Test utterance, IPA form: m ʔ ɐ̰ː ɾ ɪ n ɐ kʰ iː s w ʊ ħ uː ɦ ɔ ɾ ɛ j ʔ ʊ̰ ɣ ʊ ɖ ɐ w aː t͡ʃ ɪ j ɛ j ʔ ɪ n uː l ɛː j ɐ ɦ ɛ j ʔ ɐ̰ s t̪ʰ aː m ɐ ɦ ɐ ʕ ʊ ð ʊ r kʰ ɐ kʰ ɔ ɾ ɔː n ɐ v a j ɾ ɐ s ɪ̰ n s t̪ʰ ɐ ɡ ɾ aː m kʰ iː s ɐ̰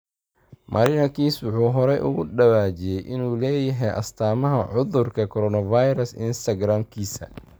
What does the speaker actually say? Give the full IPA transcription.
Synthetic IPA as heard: m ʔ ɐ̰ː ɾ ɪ n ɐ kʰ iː s w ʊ ħ uː ɦ ɔ ɾ ɛ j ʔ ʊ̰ ɣ ʊ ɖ ɐ w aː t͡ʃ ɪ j ɛ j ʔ ɪ n uː l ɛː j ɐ ɦ ɛ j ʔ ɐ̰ s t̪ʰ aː m ɐ ɦ ɐ ʕ ʊ ð ʊ r kʰ ɐ kʰ ɔ ɾ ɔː n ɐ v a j ɾ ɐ s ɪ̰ n s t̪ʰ ɐ ɡ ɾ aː m kʰ iː s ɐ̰